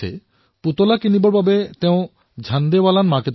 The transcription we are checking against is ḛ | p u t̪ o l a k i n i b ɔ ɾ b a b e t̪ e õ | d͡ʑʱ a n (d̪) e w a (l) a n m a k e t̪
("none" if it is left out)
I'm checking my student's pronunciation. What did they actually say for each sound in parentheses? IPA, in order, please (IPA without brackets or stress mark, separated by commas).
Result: d̪, l